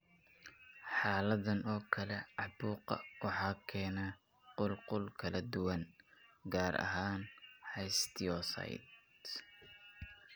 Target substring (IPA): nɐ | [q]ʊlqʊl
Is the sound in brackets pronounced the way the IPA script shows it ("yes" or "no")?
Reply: yes